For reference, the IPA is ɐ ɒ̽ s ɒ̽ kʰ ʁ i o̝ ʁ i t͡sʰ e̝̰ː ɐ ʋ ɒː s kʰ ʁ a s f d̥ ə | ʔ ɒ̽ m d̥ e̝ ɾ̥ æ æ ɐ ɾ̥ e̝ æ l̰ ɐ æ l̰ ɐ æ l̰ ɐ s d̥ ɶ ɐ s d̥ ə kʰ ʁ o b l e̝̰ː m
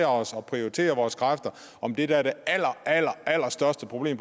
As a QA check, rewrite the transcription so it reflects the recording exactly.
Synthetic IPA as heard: ɐ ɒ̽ s ɒ̽ pʰ ʁ i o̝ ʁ i t͡sʰ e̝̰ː ɐ ʋ ɒː s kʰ ʁ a f d̥ ɐ | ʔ ɒ̽ m d̥ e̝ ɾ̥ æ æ ɐ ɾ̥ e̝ æ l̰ ɐ æ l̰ ɐ æ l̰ ɐ s d̥ ɶ ɐ s d̥ ə pʰ ʁ o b l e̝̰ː m